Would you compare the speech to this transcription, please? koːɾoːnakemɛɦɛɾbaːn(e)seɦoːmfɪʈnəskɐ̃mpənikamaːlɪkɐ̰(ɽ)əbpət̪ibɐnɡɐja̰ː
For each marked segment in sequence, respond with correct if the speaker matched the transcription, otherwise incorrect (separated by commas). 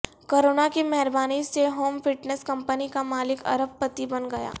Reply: incorrect, incorrect